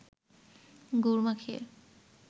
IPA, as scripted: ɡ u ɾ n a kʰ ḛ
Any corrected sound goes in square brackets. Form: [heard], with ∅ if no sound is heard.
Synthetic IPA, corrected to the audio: ɡ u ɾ [m] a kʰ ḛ

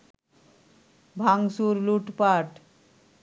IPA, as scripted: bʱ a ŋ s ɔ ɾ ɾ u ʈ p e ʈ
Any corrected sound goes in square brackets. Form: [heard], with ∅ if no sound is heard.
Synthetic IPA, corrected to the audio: bʱ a ŋ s [u] ɾ [l] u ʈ p [a] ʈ

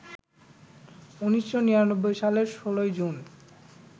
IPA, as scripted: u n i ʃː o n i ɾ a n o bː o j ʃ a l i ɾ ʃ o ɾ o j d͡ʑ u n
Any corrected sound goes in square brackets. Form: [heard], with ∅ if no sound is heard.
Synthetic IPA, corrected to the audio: u n i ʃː o n i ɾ a n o bː o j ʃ a l [e] ɾ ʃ o [l] o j d͡ʑ u n

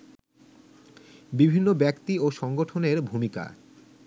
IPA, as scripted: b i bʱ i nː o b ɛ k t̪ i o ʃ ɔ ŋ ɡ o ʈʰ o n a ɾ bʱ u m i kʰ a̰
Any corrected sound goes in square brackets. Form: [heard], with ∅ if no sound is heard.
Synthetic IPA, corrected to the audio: b i bʱ i nː o b ɛ k t̪ i o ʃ ɔ ŋ ɡ o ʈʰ o n [e] ɾ bʱ u m i [k] a̰

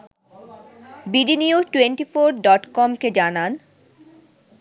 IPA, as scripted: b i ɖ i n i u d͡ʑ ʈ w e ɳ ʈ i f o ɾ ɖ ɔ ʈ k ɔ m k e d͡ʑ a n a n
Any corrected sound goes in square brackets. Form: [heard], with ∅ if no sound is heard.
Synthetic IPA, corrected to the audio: b i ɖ i n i u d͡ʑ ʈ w e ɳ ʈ i f o ɾ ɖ ɔ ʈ k ɔ m k e d͡ʑ a n a n

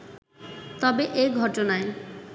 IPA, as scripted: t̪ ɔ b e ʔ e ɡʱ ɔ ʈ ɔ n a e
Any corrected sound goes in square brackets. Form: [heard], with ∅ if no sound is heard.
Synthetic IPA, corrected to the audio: t̪ ɔ b e ʔ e ɡʱ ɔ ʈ [o] n a e

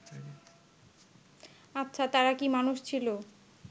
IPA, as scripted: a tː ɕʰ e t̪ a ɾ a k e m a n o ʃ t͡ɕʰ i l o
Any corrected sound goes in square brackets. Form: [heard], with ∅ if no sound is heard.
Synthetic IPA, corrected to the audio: a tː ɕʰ [a] t̪ a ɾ a k [i] m a n [u] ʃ t͡ɕʰ i l o

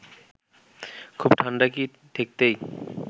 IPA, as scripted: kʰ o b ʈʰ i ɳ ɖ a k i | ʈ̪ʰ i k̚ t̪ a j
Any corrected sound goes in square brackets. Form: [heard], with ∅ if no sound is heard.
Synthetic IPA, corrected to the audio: kʰ [u] b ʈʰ [a] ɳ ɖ a k i | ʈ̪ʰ [e] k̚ t̪ [e] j

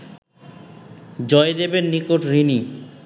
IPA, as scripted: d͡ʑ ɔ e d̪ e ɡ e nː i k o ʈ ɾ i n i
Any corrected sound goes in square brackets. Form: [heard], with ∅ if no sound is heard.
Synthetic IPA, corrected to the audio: d͡ʑ ɔ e d̪ e [b] e nː i k o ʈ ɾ i n i

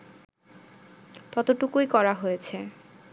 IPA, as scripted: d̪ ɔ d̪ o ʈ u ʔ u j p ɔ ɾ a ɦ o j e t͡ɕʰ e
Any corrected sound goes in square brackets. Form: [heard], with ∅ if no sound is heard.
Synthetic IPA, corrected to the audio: [t̪] ɔ [t̪] o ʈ u [k] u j [k] ɔ ɾ a ɦ o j e t͡ɕʰ e

